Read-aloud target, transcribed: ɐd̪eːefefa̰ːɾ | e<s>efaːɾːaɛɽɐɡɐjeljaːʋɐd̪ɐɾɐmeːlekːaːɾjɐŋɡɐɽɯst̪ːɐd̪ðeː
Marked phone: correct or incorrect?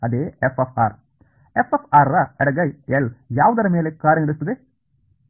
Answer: incorrect: f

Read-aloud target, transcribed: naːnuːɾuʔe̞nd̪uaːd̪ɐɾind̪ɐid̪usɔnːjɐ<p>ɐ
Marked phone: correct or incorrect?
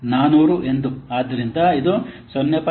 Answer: correct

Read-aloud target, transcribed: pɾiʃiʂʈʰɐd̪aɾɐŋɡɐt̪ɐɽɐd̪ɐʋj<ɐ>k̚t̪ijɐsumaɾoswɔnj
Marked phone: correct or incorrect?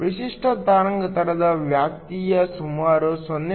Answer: incorrect: a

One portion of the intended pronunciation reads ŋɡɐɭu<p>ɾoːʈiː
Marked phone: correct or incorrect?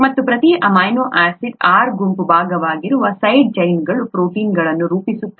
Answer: correct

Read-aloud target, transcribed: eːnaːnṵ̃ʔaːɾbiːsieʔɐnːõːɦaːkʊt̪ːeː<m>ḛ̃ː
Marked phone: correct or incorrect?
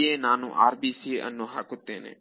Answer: incorrect: n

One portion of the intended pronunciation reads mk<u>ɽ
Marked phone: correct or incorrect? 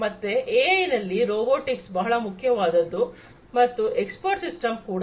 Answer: incorrect: uː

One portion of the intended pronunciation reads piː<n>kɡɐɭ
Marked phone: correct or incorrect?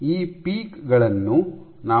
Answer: incorrect: none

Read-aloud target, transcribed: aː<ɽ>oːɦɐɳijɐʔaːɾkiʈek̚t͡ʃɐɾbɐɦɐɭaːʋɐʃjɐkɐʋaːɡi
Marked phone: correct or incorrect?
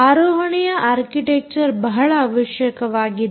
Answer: incorrect: ɾ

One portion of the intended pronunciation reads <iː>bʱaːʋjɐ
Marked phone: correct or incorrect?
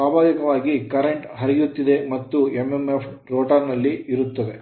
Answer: incorrect: aː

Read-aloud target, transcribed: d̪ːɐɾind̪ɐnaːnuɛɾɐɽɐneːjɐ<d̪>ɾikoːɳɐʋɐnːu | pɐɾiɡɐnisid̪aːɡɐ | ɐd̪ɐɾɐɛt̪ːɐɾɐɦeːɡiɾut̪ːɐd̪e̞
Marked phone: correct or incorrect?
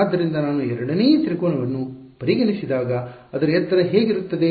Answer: incorrect: t̪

